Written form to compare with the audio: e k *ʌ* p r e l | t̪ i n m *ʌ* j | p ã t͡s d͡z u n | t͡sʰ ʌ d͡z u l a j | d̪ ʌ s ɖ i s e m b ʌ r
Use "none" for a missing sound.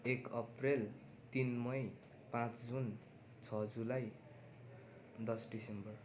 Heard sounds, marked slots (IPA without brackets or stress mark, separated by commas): ʌ, ʌ